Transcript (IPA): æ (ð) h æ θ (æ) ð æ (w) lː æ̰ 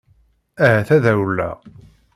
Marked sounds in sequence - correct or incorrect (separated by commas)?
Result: incorrect, correct, correct